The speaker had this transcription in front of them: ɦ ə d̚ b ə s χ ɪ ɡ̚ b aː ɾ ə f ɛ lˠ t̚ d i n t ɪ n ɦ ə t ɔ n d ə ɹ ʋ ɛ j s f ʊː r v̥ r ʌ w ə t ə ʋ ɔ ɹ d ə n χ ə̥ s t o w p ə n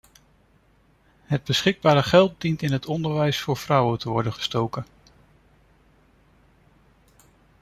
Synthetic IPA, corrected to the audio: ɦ ə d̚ b ə s χ ɪ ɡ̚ b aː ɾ ə χ ɛ lˠ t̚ d i n t ɪ n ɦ ə t ɔ n d ə ɹ ʋ ɛ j s f ʊː ɹ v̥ r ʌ w ə t ə ʋ ɔ ɹ d ə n χ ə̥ s t o w k ə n